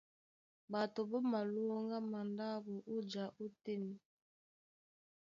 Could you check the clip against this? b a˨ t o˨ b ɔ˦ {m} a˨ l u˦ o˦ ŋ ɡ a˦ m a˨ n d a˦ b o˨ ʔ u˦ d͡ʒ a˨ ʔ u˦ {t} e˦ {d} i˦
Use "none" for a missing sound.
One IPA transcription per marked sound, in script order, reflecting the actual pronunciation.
m, t, n

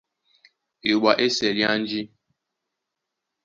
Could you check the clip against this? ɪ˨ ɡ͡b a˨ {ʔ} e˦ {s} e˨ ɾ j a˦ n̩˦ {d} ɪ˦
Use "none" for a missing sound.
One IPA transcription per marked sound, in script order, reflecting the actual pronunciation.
ʔ, s, d͡ʒ

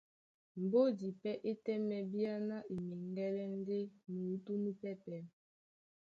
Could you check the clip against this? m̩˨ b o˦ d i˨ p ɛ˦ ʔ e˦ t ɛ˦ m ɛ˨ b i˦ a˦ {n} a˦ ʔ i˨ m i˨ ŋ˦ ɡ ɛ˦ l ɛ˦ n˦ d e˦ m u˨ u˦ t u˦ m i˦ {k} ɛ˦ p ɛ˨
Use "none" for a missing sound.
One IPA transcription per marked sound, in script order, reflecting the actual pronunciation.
n, p

